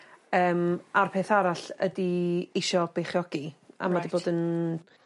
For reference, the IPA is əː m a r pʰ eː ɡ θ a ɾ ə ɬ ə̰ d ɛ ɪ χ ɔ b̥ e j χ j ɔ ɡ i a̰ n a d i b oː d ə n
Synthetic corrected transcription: əː m a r pʰ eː θ a ɾ a ɬ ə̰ d i ɪ ʃ ɔ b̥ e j χ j ɔ ɡ i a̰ m a d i b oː d ə n